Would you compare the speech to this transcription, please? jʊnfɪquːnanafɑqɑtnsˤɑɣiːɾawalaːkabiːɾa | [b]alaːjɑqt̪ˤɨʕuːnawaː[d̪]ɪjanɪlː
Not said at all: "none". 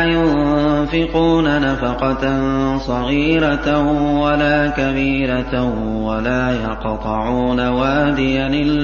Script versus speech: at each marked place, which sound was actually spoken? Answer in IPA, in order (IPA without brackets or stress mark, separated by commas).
w, d̪